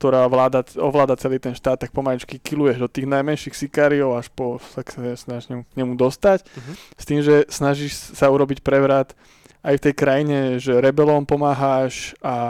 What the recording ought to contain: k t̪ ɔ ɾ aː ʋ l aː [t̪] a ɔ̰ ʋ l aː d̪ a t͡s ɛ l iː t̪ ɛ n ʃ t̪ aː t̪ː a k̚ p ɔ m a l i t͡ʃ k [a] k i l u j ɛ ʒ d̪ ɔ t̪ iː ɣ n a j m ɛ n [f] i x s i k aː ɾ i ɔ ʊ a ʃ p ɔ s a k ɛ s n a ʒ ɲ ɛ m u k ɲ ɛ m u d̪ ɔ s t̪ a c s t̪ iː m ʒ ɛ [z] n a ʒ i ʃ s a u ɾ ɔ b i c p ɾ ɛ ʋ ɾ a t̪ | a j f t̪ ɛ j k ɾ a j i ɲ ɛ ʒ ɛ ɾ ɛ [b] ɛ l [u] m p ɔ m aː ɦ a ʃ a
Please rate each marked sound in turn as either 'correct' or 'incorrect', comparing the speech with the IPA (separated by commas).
incorrect, incorrect, incorrect, incorrect, correct, incorrect